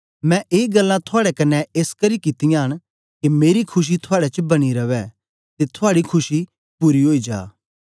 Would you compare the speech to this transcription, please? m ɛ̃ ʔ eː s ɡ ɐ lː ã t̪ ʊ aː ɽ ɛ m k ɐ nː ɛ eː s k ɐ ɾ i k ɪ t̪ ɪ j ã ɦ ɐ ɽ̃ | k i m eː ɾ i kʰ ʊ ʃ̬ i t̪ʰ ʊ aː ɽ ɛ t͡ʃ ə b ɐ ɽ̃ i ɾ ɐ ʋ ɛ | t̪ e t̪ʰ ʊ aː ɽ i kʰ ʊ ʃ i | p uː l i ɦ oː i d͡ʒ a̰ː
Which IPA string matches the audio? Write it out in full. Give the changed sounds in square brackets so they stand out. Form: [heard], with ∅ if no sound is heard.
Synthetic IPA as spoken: m ɛ̃ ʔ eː [∅] ɡ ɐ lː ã [t̪ʰ] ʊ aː ɽ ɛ [∅] k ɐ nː ɛ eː s k ɐ ɾ i k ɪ t̪ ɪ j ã ɦ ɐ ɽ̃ | k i m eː ɾ i kʰ ʊ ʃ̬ i t̪ʰ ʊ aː ɽ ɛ t͡ʃ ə b ɐ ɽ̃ i ɾ ɐ ʋ ɛ | t̪ e t̪ʰ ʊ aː ɽ i kʰ ʊ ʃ i | p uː [ɾ] i ɦ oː i d͡ʒ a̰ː